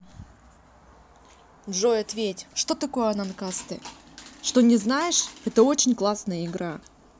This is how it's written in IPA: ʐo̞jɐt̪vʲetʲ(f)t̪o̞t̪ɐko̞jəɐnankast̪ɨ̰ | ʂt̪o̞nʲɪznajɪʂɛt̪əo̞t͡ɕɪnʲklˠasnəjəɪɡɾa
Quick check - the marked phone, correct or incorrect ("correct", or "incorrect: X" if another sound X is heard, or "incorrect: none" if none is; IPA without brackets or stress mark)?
incorrect: ʂ